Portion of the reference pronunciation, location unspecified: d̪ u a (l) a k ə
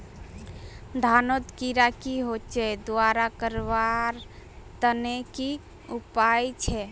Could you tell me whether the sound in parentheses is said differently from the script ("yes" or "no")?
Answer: yes